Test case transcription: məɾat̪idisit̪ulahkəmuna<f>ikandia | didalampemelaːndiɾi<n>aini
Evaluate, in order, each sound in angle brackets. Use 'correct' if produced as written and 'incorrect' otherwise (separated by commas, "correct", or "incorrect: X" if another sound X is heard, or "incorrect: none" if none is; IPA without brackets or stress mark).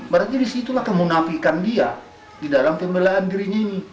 correct, incorrect: ɲ